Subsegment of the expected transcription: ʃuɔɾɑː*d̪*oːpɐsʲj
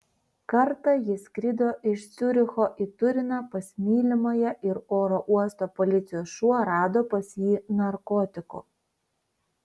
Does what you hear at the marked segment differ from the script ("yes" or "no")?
no